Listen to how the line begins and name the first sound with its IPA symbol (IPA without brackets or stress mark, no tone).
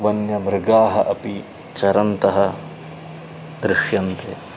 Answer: ʋ